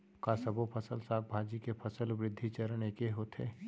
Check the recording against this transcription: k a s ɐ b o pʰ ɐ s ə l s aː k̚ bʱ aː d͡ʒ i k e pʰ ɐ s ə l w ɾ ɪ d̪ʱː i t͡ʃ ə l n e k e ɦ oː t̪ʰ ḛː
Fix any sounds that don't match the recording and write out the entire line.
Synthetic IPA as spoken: k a s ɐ b o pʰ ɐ s ə l s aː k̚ bʱ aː d͡ʒ i k e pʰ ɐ s ə l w ɾ ɪ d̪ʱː i t͡ʃ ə ɾ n e k e ɦ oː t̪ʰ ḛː